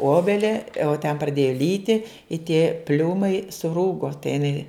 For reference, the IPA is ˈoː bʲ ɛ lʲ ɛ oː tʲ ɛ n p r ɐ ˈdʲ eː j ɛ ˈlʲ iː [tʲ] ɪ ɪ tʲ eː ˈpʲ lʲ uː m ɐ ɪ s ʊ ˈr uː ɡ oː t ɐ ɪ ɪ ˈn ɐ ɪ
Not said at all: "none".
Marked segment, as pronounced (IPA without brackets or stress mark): tʲ